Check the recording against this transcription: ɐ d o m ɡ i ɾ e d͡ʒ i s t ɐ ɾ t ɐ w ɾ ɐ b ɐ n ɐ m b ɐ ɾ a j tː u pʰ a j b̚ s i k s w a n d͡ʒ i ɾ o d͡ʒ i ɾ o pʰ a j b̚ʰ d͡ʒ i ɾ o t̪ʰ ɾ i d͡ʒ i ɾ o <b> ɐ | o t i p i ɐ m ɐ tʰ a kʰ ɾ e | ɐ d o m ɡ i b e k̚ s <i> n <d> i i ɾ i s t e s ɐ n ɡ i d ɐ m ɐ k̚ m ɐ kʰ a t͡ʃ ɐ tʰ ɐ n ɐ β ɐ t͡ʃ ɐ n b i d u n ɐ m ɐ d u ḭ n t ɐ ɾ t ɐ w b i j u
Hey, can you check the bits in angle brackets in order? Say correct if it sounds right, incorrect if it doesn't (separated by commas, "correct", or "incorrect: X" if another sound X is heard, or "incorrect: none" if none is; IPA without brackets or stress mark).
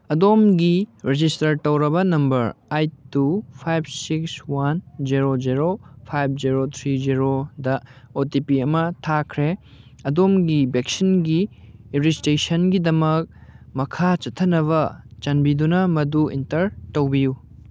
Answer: incorrect: d, correct, incorrect: ɡ